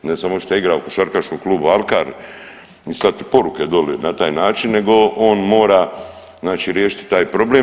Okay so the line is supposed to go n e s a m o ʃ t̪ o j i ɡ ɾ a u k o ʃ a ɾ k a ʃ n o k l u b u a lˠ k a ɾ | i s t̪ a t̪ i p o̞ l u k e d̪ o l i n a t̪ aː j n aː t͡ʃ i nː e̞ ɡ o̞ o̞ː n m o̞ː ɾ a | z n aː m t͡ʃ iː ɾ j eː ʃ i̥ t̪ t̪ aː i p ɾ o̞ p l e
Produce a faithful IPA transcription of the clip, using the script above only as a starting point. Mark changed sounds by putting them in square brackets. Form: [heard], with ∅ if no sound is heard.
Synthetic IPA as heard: n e s a m o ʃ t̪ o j i ɡ ɾ a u k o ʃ a ɾ k a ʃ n o k l [uː] b u a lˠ k a ɾ | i s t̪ a t̪ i p o̞ [ɾ] u k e d̪ o l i n a t̪ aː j n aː t͡ʃ i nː e̞ ɡ o̞ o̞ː n m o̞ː ɾ a | z n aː [∅] t͡ʃ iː ɾ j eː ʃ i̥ t̪ t̪ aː [j] p ɾ o̞ [b] l e